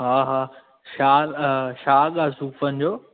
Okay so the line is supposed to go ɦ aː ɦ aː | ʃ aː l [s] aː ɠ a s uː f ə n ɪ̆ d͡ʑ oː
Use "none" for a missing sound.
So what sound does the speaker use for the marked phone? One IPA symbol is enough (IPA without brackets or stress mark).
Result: ʃ